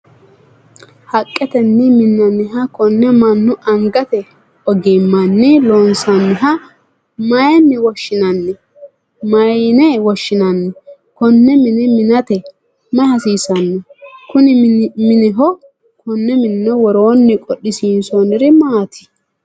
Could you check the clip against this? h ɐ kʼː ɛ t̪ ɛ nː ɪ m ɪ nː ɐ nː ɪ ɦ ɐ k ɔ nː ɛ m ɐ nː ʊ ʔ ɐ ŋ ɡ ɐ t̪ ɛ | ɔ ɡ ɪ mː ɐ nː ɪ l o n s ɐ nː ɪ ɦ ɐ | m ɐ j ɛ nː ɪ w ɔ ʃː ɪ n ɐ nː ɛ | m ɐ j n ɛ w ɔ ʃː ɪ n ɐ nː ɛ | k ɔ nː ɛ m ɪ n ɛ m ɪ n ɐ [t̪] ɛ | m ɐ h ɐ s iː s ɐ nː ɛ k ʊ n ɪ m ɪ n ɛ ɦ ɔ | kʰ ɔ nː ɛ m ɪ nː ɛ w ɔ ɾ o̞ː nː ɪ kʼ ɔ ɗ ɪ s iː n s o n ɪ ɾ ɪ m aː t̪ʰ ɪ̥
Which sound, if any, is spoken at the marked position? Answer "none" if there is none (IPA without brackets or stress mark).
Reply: t̪